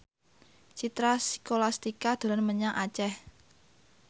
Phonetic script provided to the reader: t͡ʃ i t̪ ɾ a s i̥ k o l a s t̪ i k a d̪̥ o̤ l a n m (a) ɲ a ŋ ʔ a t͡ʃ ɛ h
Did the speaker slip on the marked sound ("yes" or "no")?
yes